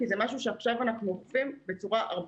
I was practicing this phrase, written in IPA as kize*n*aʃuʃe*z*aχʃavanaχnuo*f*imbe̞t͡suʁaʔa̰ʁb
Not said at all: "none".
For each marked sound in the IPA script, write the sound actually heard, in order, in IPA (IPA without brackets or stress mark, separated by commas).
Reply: m, none, f